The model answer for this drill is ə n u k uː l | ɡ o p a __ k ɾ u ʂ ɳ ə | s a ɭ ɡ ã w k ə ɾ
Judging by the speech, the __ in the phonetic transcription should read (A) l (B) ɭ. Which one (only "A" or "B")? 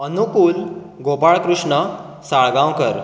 B